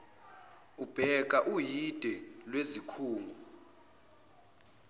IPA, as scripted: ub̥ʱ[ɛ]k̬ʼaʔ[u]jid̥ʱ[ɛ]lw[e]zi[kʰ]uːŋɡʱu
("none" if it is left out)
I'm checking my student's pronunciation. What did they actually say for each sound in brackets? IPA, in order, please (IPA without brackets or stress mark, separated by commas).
ɛ, u, ɛ, e, kʰ